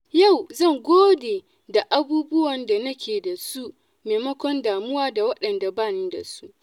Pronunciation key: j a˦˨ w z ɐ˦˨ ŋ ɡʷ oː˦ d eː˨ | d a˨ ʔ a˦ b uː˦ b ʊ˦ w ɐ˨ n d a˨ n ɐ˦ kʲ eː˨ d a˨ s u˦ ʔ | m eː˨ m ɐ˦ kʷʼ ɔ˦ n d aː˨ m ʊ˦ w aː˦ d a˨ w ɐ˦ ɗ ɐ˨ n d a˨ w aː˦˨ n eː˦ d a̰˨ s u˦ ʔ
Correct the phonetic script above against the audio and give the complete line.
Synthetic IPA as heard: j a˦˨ w z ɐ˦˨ ŋ ɡʷ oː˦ d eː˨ | d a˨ ʔ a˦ b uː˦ b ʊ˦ w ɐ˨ n d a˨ n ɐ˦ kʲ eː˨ d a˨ s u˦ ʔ | m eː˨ m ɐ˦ kʷ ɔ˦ n d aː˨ m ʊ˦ w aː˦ d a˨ w ɐ˦ ɗ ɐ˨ n d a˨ b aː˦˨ n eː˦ d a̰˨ s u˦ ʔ